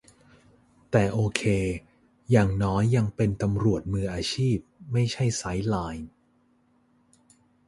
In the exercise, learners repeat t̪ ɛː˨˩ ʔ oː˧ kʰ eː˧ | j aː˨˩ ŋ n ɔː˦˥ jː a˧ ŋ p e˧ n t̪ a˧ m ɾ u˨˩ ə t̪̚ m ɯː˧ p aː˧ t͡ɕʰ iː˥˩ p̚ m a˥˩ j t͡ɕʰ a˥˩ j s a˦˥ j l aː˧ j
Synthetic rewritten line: t̪ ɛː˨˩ ʔ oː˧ kʰ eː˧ | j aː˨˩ ŋ n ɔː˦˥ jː a˧ ŋ p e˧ n t̪ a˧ m ɾ u˨˩ ə t̪̚ m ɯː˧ ʔ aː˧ t͡ɕʰ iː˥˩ p̚ m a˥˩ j t͡ɕʰ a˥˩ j s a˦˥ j l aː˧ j